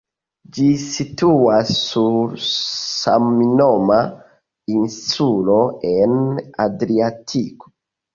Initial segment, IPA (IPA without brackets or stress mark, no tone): d͡ʒ